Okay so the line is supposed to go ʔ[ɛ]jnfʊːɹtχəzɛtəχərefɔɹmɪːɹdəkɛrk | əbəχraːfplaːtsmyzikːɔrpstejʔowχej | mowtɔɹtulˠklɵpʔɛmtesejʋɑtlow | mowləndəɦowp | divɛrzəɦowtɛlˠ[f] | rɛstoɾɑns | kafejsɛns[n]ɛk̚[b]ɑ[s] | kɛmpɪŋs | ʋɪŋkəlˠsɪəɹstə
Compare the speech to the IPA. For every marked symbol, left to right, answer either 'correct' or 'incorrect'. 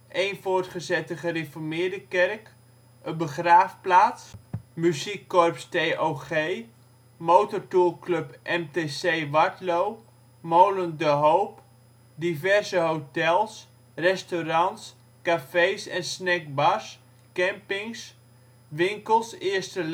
incorrect, incorrect, correct, correct, correct

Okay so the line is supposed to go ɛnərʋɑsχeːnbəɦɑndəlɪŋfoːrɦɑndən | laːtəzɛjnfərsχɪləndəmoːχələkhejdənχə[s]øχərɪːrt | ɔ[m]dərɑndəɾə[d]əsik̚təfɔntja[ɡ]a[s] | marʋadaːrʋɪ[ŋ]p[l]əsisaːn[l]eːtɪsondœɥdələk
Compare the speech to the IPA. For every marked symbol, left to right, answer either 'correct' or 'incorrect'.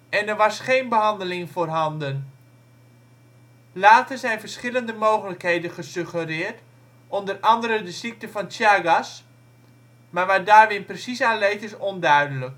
correct, incorrect, correct, correct, correct, incorrect, incorrect, correct

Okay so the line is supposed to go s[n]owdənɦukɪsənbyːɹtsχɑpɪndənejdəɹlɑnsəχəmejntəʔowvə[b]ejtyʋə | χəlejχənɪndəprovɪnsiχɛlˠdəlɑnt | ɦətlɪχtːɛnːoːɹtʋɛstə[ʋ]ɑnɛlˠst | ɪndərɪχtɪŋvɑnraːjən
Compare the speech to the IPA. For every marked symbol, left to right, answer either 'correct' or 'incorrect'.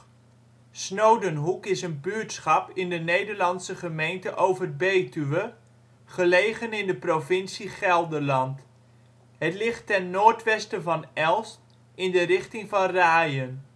correct, correct, incorrect

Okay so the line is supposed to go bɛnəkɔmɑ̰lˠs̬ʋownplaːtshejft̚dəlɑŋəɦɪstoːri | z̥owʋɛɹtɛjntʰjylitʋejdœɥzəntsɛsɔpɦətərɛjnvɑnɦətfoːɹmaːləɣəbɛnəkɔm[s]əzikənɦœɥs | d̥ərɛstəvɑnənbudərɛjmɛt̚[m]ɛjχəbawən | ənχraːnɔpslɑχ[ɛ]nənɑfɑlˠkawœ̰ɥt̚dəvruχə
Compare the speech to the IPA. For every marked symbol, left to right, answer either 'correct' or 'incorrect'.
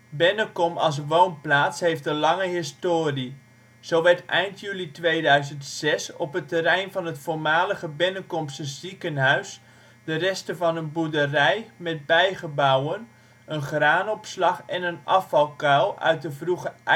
correct, incorrect, correct

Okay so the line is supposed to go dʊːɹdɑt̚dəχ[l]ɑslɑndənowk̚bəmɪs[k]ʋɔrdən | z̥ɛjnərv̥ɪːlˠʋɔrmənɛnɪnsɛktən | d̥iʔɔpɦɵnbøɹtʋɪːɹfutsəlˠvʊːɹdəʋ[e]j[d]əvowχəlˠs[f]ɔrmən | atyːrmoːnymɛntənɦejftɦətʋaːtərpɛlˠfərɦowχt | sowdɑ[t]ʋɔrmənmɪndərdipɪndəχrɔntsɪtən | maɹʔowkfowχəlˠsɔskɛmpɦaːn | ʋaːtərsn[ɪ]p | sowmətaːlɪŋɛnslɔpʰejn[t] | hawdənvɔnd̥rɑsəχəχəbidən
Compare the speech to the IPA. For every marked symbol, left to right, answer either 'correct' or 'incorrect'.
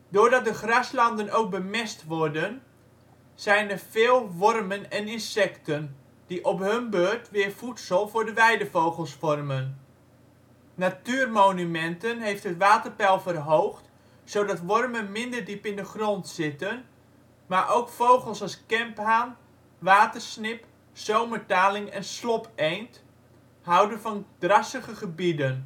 incorrect, incorrect, incorrect, correct, correct, correct, correct, correct

